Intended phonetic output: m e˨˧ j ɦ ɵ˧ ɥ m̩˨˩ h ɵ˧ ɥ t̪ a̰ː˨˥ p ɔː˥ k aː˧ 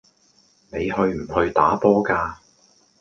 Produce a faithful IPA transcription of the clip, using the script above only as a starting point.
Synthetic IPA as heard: n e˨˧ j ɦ ɵ˧ ɥ m̩˨˩ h ɵ˧ ɥ t̪ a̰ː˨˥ p ɔː˥ k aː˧